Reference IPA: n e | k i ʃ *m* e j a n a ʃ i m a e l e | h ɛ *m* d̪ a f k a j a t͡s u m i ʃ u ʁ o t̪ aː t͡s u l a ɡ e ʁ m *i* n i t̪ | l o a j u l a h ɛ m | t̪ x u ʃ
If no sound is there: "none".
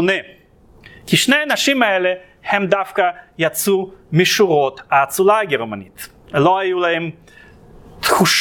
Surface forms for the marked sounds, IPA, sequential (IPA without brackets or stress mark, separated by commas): n, m, a